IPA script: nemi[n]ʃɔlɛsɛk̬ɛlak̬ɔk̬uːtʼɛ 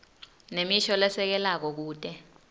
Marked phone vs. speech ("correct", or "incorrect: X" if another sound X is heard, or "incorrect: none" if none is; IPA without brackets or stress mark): incorrect: none